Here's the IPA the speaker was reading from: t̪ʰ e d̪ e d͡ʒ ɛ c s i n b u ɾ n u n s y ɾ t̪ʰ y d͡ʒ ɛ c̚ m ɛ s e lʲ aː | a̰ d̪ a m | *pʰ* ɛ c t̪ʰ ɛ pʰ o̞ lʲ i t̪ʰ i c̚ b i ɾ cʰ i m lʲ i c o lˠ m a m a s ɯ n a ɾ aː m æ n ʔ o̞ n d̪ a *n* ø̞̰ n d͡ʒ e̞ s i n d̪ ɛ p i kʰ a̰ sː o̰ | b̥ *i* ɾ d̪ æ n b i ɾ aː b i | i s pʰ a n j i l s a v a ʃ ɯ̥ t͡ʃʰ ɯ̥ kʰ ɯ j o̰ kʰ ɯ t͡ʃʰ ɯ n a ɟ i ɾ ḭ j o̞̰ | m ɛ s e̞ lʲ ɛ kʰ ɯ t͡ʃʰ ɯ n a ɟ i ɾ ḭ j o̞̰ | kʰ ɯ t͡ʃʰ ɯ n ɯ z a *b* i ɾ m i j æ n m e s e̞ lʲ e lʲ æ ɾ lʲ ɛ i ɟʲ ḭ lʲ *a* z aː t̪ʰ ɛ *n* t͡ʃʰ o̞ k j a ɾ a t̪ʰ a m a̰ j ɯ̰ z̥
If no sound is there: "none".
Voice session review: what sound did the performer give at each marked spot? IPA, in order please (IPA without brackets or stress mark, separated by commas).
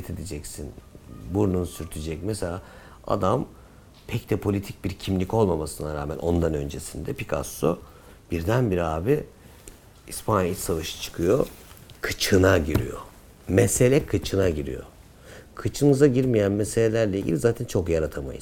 pʰ, n, i, ɟ, i, n